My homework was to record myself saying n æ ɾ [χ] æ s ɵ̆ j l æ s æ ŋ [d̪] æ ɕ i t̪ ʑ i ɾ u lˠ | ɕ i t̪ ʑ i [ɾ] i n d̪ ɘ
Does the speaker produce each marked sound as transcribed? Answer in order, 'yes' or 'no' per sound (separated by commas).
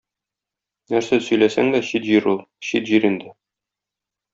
no, yes, yes